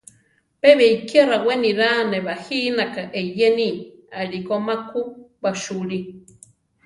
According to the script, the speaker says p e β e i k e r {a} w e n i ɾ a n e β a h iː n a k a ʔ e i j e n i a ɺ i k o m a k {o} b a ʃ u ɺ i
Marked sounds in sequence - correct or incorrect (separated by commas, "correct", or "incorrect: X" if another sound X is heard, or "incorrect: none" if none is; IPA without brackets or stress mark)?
correct, incorrect: u